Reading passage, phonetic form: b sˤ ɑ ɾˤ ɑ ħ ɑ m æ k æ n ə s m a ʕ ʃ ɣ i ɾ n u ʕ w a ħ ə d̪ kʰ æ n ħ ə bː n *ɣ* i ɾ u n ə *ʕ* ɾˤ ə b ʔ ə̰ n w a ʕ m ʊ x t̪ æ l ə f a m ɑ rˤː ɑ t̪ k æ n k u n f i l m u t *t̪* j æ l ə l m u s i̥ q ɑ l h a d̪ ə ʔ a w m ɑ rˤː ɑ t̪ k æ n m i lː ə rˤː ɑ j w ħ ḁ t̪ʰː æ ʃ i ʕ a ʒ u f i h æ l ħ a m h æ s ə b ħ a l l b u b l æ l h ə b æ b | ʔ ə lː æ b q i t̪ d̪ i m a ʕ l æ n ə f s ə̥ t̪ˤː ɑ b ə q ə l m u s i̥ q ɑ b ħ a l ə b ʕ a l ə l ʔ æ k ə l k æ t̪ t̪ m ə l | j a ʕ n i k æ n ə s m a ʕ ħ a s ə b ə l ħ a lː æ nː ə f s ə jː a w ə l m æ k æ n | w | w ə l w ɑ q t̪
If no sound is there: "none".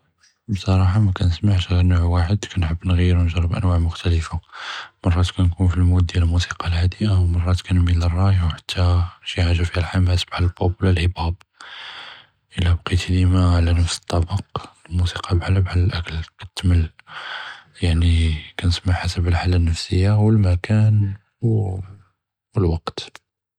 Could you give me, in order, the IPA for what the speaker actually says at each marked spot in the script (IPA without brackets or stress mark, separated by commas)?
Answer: ɣ, ʒ, d̪